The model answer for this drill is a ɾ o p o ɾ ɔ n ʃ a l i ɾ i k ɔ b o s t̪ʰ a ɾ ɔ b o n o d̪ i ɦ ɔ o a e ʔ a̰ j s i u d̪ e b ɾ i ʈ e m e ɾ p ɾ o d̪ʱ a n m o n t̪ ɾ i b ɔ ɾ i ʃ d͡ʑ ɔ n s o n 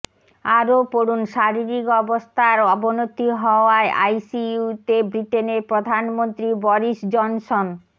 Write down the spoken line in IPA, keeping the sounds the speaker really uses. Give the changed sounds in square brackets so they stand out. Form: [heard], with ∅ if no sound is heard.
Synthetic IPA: a ɾ o p o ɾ [u] n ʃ a [ɾ] i ɾ i k ɔ b o s t̪ʰ a ɾ ɔ b o n o [t̪] i ɦ ɔ o a e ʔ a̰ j s i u [t̪] e b ɾ i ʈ e [n] e ɾ p ɾ o d̪ʱ a n m o n t̪ ɾ i b ɔ ɾ i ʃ d͡ʑ ɔ n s o n